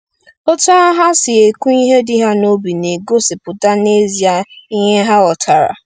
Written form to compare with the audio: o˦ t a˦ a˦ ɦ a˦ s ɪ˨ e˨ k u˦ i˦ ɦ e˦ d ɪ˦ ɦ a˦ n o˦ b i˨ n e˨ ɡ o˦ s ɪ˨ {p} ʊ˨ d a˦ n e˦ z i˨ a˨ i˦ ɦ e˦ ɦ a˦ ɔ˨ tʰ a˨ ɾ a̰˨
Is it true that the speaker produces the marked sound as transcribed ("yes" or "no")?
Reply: yes